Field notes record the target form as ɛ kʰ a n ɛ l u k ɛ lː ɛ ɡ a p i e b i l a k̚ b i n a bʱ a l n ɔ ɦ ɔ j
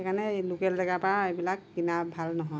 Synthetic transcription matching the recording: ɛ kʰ a n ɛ l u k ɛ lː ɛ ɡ a p a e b i l a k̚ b i n a bʱ a l n ɔ ɦ ɔ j

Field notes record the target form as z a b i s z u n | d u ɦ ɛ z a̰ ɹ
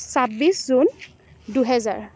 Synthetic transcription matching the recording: s a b i s z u n | d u ɦ ɛ z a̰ ɹ

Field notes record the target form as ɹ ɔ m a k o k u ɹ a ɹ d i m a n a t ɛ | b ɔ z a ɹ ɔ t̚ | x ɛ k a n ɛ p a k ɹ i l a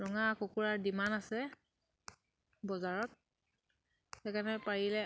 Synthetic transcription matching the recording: ɹ ɔ ŋ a k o k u ɹ a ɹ d i m a n a s ɛ | b ɔ z a ɹ ɔ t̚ | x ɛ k a n ɛ p a ɹ i l ɛ

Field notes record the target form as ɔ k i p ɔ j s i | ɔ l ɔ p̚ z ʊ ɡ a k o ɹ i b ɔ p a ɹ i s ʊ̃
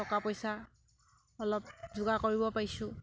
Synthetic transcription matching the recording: ɔ k a p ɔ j s a | ɔ l ɔ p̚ z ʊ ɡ a k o ɹ i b ɔ p a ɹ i s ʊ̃

